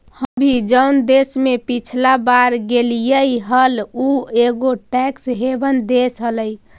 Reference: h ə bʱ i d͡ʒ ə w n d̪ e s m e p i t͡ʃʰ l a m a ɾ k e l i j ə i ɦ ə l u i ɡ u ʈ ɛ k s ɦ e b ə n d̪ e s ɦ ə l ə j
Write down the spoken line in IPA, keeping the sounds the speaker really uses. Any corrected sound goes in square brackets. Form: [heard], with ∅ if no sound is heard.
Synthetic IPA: h ə bʱ i d͡ʒ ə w n d̪ e s m e p i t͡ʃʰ l a [b] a ɾ [ɡ] e l i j ə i ɦ ə l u [e] ɡ [o] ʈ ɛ k s ɦ e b ə n d̪ e s ɦ ə l ə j